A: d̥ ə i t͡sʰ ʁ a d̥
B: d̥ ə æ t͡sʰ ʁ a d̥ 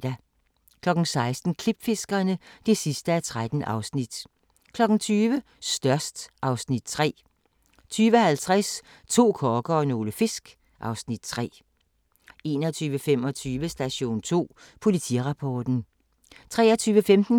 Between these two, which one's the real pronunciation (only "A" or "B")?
B